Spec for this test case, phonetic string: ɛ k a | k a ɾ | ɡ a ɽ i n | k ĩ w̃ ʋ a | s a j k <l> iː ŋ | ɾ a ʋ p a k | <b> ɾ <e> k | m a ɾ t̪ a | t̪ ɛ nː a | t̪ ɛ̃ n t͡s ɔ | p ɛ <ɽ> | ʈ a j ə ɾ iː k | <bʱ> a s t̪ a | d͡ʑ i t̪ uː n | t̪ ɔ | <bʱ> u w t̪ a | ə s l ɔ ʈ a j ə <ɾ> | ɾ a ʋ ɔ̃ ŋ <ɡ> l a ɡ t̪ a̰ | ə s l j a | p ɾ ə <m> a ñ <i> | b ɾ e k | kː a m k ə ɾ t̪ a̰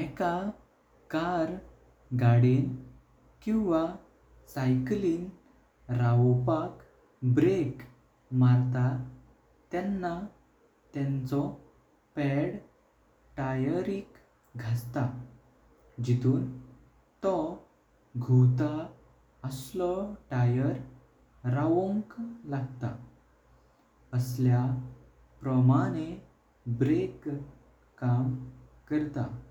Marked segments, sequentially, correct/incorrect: correct, correct, correct, correct, incorrect: ɡʱ, incorrect: ɡʱ, correct, incorrect: k, correct, incorrect: e

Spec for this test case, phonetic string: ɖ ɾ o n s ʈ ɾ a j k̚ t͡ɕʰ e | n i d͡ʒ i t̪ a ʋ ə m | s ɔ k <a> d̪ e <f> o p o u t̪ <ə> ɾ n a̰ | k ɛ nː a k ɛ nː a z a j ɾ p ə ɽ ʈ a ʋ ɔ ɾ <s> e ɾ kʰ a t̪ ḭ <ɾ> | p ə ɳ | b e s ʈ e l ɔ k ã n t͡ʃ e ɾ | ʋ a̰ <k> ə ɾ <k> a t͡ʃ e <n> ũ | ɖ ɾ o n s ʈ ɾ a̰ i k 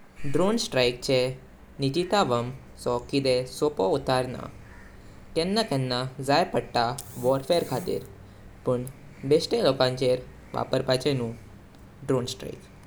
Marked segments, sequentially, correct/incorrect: incorrect: i, incorrect: s, incorrect: a, incorrect: f, correct, incorrect: p, incorrect: p, correct

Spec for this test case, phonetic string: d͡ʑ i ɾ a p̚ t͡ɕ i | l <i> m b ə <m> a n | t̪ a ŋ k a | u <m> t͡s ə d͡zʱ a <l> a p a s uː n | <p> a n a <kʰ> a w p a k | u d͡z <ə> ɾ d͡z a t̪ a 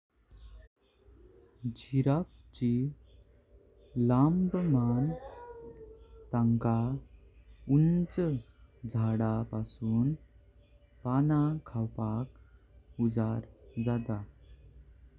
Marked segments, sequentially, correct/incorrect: incorrect: a, correct, incorrect: n, incorrect: ɽ, correct, correct, incorrect: a

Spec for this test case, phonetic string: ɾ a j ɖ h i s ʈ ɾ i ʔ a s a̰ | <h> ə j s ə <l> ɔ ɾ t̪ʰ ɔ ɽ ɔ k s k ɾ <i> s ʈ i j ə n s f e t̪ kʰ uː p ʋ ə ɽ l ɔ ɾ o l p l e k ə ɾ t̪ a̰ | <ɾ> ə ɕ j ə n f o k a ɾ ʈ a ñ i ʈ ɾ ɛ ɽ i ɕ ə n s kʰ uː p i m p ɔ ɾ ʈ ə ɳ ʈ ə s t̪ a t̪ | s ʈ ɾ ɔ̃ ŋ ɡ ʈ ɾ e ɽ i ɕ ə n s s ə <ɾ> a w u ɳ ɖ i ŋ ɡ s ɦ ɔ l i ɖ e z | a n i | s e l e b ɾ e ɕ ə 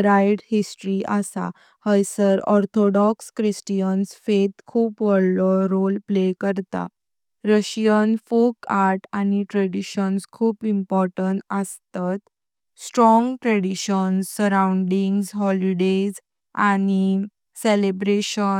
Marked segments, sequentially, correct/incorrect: correct, incorrect: ɾ, correct, correct, correct

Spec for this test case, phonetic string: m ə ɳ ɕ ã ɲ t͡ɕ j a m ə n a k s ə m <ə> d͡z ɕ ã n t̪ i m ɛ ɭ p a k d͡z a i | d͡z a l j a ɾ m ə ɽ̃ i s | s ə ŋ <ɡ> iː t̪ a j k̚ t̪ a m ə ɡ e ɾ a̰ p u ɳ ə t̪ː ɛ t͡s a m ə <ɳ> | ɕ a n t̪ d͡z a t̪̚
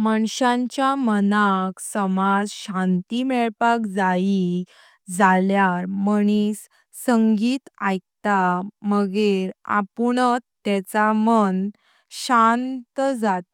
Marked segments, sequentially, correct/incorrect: incorrect: a, correct, incorrect: n

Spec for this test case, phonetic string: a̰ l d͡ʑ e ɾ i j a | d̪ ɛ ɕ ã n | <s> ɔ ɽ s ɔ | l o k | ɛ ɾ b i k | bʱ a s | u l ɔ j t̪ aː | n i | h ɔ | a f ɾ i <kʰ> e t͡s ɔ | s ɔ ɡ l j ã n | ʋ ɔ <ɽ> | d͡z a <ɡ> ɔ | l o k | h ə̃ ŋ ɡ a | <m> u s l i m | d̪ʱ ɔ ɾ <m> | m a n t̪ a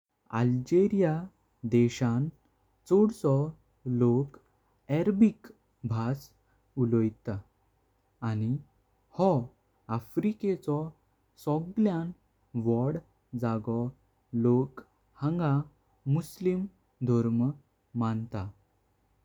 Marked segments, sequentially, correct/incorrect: incorrect: t͡s, incorrect: k, correct, correct, correct, correct

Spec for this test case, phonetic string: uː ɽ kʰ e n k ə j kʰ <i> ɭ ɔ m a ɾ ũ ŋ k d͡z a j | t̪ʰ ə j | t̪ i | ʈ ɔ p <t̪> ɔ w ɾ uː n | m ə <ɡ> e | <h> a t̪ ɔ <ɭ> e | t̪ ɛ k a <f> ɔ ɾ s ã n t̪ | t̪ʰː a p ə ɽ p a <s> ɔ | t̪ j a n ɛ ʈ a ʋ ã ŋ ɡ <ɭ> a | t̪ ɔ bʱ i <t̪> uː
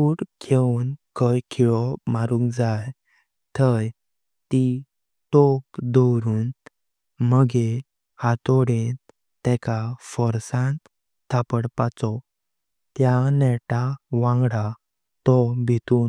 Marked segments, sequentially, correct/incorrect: correct, incorrect: d̪, correct, correct, incorrect: ɽ, correct, incorrect: t͡s, incorrect: ɽ, correct

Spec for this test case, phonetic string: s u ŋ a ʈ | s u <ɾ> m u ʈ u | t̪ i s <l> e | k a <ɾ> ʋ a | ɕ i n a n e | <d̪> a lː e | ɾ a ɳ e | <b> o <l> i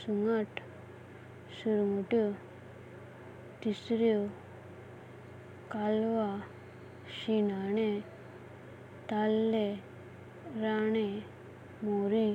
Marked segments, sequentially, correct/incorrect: correct, incorrect: ɾ, incorrect: l, incorrect: t̪, incorrect: m, incorrect: ɾ

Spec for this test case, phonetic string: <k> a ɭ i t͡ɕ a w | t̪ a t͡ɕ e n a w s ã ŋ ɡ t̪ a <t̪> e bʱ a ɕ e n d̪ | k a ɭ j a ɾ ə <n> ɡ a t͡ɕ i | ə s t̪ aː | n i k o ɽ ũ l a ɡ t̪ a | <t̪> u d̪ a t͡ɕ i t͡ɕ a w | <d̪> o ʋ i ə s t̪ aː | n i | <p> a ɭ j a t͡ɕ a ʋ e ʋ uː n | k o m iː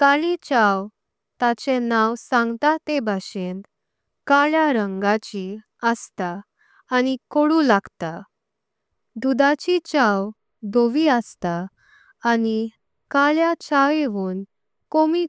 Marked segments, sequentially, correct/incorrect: correct, correct, incorrect: ŋ, incorrect: d̪, correct, incorrect: k

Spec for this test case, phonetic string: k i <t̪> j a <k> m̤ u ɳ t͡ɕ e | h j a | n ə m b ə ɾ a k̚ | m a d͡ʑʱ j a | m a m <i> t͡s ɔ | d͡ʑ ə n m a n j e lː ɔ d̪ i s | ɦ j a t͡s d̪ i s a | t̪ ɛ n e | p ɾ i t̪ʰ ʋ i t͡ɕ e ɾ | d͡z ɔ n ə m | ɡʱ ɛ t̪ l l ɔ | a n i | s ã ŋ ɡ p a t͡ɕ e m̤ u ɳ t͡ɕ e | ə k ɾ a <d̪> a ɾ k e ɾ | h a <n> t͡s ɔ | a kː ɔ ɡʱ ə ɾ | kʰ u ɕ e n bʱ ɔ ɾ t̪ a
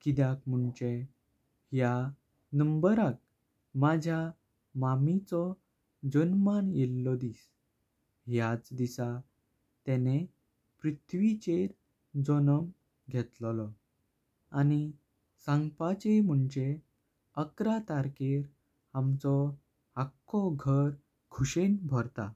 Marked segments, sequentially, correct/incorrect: incorrect: d̪, correct, correct, incorrect: t̪, incorrect: m

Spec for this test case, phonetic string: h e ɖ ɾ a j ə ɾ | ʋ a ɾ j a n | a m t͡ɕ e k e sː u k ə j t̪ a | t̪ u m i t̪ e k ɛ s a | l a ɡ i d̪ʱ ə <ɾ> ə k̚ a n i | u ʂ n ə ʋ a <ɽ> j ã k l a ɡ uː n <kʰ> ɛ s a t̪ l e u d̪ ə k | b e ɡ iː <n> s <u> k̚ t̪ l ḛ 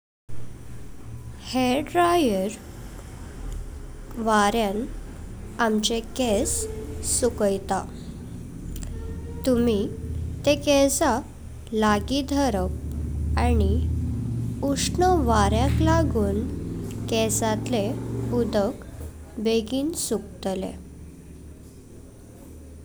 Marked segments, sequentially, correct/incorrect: correct, incorrect: ɾ, incorrect: k, correct, correct

